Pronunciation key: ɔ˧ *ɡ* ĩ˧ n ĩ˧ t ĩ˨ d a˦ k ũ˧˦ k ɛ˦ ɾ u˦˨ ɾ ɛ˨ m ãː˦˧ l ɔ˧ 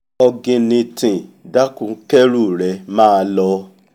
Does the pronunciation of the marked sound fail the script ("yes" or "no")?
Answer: no